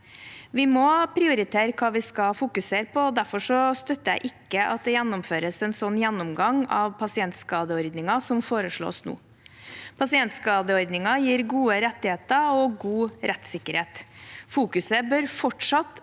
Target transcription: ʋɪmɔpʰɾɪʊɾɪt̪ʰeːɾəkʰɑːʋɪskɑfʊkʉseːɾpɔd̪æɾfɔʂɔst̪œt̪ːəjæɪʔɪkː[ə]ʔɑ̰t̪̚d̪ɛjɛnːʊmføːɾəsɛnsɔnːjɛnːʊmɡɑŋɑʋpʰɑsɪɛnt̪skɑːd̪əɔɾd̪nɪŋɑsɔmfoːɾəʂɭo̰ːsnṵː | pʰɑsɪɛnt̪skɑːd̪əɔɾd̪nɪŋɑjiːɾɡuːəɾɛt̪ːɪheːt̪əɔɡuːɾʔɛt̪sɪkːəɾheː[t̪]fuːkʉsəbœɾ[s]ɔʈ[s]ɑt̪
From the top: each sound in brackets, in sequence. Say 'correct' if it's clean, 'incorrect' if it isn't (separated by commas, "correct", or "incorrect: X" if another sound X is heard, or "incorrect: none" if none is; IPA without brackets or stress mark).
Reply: correct, correct, incorrect: f, incorrect: ʂ